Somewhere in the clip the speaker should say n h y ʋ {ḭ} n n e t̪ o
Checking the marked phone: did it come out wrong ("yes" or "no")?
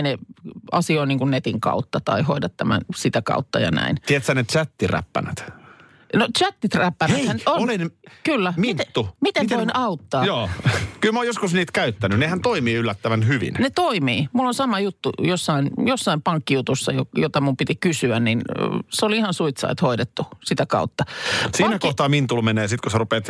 no